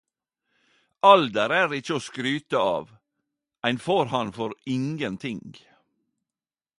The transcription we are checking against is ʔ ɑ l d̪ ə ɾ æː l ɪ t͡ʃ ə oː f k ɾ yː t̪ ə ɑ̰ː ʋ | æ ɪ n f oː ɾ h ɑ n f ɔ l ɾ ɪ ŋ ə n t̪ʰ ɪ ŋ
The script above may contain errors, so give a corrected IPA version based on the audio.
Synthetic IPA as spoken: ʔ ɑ l d̪ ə ɾ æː ɾ ɪ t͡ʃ ə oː s k ɾ yː t̪ ə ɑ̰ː ʋ | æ ɪ n f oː ɾ h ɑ n f ɔ ɾ ɪ ŋ ə n t̪ʰ ɪ ŋ